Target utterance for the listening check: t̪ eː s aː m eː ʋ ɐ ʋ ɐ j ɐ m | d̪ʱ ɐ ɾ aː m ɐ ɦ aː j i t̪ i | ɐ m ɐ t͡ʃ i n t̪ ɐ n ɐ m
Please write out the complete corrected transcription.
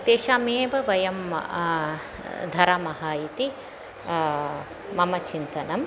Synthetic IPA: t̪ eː ʃ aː m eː ʋ ɐ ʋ ɐ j ɐ m | d̪ʱ ɐ ɾ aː m ɐ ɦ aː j i t̪ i | ɐ m ɐ t͡ʃ i n t̪ ɐ n ɐ m